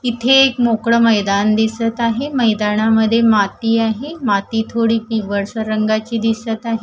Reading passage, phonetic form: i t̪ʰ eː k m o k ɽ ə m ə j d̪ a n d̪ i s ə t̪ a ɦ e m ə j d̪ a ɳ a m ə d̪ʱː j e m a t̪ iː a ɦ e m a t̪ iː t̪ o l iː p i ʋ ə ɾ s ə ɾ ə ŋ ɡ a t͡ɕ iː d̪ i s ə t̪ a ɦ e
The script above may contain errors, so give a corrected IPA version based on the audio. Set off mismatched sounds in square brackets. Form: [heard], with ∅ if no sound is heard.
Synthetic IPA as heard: i t̪ʰ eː k m o k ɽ ə m ə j d̪ a n d̪ i s ə t̪ a ɦ e m ə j d̪ a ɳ a m ə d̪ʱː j e m a t̪ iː a ɦ e m a t̪ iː [t̪ʰ] o [ɽ] iː p i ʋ ə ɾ s ə ɾ ə ŋ ɡ a t͡ɕ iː d̪ i s ə t̪ a ɦ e